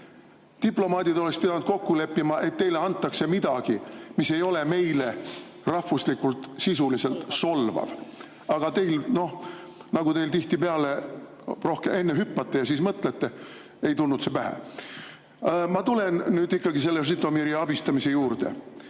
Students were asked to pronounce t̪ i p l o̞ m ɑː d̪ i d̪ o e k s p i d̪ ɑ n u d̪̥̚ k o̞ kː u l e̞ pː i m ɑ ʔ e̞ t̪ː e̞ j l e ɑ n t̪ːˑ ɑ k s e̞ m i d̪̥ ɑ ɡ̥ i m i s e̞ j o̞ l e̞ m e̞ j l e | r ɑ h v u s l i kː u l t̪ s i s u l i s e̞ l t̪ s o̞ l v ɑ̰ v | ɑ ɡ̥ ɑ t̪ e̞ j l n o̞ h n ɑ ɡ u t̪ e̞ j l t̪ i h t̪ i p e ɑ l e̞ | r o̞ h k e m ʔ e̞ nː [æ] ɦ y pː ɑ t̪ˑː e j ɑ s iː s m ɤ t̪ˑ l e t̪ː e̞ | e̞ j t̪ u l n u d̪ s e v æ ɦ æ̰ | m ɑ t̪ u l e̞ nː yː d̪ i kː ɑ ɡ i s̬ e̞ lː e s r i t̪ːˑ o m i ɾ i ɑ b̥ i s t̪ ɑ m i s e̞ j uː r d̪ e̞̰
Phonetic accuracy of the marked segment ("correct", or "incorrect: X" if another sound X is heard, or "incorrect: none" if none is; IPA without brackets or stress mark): incorrect: e